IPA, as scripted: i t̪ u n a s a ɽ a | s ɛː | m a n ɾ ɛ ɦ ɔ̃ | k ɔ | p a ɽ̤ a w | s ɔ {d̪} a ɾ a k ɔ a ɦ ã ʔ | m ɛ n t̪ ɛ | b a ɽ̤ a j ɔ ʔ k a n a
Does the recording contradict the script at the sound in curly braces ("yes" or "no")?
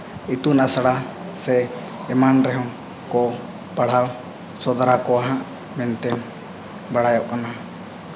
no